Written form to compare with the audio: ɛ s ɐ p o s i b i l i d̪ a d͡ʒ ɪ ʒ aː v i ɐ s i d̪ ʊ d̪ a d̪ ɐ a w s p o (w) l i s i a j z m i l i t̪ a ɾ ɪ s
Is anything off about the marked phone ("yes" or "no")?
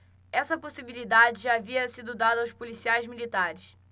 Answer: yes